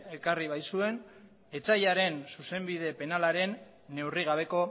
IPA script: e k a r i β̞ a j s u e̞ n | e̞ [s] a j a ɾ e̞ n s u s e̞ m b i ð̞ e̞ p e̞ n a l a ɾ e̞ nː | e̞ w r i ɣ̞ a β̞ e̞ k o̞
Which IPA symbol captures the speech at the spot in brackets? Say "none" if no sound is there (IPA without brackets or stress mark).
t͡s